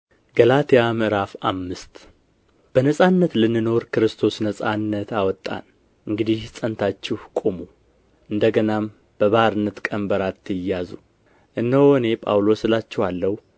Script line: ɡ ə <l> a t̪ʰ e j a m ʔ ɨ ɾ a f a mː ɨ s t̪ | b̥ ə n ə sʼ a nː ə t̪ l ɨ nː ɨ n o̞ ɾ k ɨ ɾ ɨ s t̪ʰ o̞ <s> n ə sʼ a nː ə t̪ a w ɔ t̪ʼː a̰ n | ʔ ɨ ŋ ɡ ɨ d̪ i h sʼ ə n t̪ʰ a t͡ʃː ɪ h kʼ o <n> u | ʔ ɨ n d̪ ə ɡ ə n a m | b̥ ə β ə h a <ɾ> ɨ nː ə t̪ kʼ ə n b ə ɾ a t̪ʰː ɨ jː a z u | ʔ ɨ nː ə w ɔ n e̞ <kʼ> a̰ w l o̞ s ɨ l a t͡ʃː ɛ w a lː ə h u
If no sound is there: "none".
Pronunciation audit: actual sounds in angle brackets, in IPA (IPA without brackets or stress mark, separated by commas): l, s, m, ɾ, pʼ